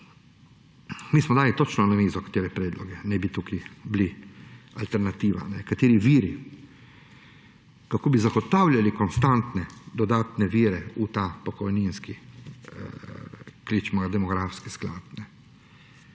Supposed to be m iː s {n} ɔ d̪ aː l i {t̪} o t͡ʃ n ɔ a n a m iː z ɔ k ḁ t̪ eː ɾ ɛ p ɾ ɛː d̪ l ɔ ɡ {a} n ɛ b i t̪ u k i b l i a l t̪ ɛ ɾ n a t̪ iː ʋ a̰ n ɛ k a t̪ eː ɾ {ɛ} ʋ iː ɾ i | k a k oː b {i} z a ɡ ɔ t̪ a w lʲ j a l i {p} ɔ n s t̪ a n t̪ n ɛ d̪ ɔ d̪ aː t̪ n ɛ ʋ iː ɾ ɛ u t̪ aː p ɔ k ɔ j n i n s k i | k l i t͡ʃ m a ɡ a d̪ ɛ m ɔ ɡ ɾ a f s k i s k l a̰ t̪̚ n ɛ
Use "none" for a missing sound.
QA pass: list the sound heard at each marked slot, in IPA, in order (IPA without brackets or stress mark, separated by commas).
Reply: m, t̪, ɛ, i, i, k